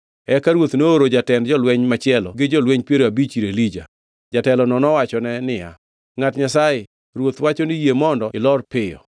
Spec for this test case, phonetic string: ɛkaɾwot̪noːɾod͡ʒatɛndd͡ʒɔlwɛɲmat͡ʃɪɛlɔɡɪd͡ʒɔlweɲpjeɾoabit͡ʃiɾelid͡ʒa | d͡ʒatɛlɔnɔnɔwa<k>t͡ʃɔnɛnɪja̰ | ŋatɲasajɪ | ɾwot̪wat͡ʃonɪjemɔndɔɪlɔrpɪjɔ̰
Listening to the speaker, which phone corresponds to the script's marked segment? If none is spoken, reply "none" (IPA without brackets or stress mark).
none